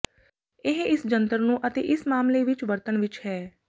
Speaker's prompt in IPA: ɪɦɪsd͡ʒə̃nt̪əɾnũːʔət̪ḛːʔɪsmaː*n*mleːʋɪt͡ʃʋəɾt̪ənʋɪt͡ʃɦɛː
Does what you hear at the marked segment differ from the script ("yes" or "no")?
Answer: yes